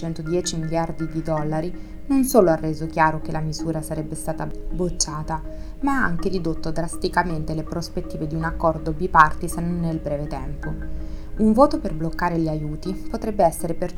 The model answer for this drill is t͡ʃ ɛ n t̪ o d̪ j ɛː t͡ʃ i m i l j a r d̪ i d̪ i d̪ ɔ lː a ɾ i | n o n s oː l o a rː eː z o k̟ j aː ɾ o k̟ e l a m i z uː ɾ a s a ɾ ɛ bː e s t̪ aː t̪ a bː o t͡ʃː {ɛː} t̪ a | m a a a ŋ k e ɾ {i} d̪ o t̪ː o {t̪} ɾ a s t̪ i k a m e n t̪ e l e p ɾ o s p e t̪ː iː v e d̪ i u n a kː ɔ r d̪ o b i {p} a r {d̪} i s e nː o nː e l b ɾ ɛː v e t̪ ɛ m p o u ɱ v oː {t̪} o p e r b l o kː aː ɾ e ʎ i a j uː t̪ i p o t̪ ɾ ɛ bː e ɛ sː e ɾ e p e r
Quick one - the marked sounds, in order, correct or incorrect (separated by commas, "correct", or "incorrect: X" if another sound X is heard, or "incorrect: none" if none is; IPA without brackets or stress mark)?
incorrect: aː, correct, incorrect: d̪, correct, incorrect: t̪, correct